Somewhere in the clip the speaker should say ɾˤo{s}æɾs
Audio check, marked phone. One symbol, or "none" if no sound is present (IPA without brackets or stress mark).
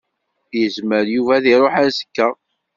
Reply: ħ